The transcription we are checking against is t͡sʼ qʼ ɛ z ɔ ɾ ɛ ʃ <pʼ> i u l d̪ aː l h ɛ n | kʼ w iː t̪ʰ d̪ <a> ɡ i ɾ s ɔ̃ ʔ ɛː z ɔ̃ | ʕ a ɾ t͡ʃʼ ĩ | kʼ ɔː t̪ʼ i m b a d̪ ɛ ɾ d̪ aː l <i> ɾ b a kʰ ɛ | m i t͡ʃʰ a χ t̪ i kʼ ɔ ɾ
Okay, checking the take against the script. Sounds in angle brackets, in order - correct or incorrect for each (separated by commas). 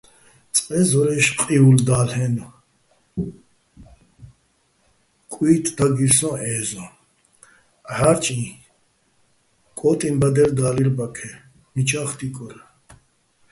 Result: incorrect, correct, correct